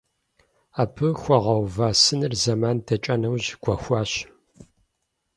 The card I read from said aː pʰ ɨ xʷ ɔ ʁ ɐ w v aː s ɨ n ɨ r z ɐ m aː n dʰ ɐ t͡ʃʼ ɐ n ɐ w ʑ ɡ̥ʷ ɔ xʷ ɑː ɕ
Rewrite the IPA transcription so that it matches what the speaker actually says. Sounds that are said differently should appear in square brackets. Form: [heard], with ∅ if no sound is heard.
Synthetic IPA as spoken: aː pʰ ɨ xʷ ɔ ʁ ɐ w v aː s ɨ n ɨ r z ɐ m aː n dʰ ɐ t͡ʃʼ ɐ n ɐ w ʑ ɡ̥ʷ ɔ xʷ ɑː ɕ